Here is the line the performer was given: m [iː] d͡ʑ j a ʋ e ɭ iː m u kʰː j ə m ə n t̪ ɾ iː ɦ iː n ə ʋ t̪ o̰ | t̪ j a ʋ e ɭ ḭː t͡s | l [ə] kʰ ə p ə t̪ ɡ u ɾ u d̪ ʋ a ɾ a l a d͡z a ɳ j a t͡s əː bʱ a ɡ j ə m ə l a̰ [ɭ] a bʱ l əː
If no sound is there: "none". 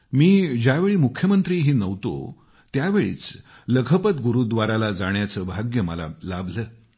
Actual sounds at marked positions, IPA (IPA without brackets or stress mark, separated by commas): iː, ə, l